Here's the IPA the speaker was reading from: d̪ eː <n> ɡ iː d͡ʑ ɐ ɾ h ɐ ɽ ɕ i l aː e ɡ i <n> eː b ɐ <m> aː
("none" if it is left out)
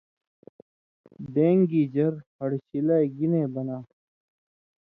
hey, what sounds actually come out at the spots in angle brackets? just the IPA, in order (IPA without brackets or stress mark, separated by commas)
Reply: ŋ, n, n